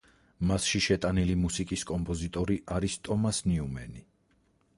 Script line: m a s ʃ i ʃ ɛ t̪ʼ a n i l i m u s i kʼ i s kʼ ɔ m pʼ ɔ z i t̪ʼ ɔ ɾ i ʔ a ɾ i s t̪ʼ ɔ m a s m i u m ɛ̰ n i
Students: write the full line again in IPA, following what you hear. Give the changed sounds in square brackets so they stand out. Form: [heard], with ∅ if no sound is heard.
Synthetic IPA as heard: m a s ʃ i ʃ ɛ t̪ʼ a n i l i m u s i kʼ i s kʼ ɔ m pʼ ɔ z i t̪ʼ ɔ ɾ i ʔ a ɾ i s t̪ʼ ɔ m a s [n] i u m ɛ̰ n i